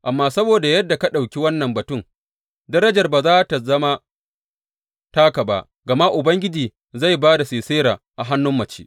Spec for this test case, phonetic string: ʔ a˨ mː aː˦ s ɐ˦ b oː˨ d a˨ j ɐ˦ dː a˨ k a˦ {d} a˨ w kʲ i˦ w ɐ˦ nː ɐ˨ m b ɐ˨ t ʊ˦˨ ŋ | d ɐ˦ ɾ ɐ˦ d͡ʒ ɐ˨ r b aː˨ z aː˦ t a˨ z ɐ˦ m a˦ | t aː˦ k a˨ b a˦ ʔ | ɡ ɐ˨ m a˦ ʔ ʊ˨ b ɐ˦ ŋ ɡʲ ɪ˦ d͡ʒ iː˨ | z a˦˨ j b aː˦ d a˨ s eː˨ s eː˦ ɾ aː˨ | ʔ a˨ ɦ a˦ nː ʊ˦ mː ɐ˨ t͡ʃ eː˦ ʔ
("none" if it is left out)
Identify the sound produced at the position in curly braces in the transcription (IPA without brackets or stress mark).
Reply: ɗ